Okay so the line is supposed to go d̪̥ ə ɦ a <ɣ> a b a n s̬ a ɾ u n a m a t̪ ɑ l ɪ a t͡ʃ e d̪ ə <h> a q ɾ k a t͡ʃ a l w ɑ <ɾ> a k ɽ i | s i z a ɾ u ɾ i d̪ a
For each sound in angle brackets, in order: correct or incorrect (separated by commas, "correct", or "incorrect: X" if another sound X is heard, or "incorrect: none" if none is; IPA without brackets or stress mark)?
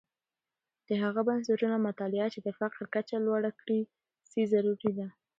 correct, incorrect: f, incorrect: ɽ